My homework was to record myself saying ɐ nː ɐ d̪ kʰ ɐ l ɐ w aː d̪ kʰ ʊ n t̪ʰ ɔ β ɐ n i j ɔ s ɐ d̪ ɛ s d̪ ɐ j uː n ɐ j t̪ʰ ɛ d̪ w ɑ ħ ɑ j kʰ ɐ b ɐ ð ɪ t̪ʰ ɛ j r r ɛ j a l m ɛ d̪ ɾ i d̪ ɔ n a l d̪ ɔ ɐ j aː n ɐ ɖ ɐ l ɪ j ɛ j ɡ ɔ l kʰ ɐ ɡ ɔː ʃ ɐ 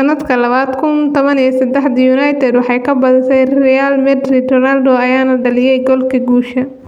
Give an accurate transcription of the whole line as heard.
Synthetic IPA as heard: ɐ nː ɐ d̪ kʰ ɐ l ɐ β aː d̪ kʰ ʊ n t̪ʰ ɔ β ɐ n i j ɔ s ɐ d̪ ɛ ħ d̪ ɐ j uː n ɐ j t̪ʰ ɛ d̪ w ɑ ħ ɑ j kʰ ɐ b ɐ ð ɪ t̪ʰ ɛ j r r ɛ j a l m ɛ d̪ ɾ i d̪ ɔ n a l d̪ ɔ ɐ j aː n ɐ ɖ ɐ l ɪ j ɛ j ɡ ɔ l kʰ ɐ ɡ uː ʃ ɐ